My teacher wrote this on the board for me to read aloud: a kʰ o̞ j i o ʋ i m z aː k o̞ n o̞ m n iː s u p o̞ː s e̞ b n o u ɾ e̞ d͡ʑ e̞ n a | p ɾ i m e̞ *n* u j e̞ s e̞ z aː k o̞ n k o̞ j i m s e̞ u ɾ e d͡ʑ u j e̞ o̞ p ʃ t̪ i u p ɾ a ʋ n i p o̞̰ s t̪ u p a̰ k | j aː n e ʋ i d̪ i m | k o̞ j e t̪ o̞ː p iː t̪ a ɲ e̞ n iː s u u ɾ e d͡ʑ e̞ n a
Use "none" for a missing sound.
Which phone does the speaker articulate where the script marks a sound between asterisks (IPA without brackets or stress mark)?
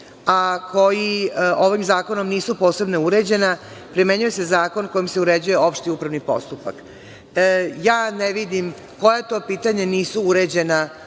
ɲ